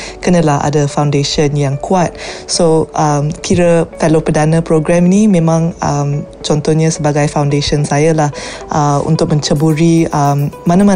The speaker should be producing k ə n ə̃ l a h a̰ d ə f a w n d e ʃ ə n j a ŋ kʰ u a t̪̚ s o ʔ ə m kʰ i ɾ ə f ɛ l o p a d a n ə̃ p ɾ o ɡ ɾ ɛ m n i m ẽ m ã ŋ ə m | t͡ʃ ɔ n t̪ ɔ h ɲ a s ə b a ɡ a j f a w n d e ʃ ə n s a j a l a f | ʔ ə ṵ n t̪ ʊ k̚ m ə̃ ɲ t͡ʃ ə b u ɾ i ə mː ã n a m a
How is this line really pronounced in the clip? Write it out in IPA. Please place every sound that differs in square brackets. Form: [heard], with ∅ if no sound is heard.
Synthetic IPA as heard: k ə n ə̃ l a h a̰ d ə f a w n d e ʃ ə n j a ŋ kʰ u a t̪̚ s o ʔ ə m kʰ i ɾ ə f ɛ l o p [ə] d a n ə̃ p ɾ o ɡ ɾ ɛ m n i m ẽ m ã ŋ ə m | t͡ʃ ɔ n t̪ ɔ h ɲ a s ə b a ɡ a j f a w n d e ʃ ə n s a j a l a [h] | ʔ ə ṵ n t̪ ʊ k̚ m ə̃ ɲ t͡ʃ ə b u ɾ i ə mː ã n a m a